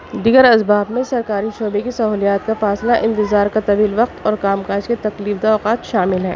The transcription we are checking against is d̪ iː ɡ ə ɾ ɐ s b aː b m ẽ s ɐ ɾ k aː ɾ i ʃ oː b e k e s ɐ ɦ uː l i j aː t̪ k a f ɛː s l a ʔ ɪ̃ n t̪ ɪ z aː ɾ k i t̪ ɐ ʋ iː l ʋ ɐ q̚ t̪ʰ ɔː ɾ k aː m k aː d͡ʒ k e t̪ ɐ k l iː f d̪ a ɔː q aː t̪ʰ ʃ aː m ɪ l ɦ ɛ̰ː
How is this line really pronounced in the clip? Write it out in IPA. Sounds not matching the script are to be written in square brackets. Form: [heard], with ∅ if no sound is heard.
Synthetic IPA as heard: d̪ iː ɡ ə ɾ ɐ s b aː b m ẽ s ɐ ɾ k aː ɾ i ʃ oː b e k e s ɐ ɦ uː l i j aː t̪ k a f [aː] s l a ʔ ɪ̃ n t̪ ɪ z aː ɾ k [a] t̪ ɐ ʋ iː l ʋ ɐ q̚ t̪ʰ ɔː ɾ k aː m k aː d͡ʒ k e t̪ ɐ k l iː f d̪ a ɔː q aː [t̪] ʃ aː m ɪ l ɦ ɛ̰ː